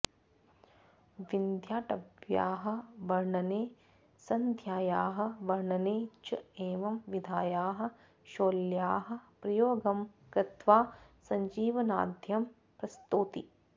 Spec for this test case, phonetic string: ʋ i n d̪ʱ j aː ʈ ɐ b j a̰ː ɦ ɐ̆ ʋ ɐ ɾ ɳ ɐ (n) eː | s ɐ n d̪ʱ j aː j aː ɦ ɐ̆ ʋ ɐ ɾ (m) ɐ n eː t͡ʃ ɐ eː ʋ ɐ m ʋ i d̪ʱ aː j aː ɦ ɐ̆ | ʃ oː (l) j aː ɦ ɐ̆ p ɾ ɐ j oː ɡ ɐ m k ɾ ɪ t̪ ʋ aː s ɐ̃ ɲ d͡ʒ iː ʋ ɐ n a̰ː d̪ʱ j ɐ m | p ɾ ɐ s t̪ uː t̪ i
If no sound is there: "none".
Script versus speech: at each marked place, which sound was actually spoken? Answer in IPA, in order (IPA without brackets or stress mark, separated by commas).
n, ɳ, l